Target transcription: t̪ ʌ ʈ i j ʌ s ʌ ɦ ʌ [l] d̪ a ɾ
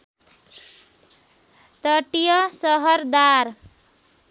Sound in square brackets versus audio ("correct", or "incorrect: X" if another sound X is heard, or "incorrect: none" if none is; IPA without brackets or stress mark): incorrect: ɾ